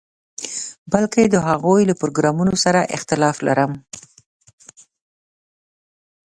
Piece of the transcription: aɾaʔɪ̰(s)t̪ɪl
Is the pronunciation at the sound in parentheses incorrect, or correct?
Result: incorrect